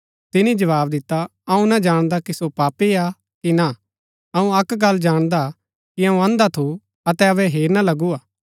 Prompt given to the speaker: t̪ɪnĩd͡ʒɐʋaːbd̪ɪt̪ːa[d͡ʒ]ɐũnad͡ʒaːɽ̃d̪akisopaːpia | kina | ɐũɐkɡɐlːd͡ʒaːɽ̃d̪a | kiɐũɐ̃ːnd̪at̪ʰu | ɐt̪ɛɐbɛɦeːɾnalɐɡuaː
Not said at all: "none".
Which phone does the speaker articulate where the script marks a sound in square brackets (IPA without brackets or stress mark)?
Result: none